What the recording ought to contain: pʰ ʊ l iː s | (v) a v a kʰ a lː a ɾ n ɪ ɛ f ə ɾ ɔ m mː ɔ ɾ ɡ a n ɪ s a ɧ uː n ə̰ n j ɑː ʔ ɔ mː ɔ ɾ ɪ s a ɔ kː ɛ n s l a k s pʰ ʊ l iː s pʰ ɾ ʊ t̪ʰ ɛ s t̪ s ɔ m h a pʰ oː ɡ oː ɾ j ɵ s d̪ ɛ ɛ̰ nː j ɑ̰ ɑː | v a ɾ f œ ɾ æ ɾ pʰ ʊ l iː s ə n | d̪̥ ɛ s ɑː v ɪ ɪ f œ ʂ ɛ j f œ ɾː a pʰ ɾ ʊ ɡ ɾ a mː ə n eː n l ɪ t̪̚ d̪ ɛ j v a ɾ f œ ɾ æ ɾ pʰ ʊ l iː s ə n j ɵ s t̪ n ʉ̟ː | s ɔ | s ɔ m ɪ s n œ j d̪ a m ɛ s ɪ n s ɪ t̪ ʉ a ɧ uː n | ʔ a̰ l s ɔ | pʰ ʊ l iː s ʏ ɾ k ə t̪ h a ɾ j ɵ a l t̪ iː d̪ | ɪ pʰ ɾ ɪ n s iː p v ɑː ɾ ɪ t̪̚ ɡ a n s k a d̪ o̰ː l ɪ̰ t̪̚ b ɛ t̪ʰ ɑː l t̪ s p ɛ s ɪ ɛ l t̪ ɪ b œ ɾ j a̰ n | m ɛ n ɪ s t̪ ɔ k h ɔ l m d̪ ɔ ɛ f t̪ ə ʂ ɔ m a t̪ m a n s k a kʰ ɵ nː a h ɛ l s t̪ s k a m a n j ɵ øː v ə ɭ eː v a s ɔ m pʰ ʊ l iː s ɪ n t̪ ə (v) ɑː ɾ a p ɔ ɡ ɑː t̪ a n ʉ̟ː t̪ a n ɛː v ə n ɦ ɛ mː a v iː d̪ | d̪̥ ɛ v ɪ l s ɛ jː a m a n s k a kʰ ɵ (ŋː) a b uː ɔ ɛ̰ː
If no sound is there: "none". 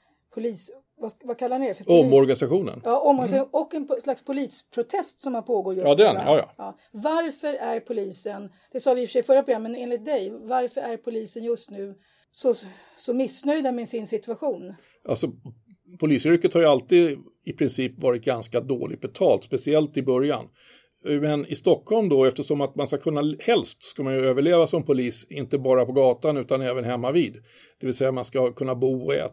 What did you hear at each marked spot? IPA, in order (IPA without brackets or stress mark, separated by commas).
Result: v, b, nː